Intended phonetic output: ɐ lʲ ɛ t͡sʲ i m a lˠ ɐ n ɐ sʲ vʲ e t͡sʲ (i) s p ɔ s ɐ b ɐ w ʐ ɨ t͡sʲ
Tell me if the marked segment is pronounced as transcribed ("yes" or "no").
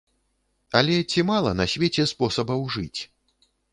no